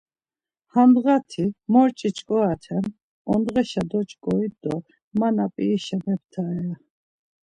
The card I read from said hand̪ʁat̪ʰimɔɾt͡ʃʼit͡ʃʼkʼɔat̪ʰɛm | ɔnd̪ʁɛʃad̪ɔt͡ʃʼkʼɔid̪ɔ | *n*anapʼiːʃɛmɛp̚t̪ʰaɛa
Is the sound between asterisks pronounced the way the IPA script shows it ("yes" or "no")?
no